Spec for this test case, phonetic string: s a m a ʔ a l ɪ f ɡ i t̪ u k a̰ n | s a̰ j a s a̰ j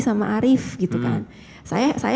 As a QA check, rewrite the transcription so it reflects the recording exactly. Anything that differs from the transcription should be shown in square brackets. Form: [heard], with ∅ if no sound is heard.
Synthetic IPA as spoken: s a m a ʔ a [ɾ] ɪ f ɡ i t̪ u k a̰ n | s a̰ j a s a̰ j